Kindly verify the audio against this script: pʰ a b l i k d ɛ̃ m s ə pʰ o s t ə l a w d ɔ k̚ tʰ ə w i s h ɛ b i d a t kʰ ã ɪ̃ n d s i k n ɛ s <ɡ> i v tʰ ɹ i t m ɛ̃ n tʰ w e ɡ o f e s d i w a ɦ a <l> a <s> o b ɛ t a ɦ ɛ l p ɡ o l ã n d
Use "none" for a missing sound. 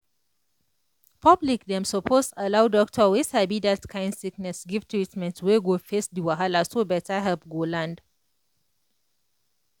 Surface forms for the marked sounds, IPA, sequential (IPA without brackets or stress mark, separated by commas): ɡ, l, s